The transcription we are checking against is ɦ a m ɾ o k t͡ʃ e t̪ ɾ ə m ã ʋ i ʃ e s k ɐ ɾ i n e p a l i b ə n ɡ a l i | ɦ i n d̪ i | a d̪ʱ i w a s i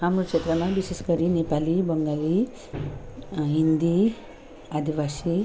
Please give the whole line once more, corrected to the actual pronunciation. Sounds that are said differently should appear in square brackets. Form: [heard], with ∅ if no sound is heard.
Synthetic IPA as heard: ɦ a m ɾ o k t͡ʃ e t̪ ɾ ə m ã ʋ i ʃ e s k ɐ ɾ i n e p a l i b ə [ŋ] ɡ a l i | ɦ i n d̪ i | a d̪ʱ i [ʋ] a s i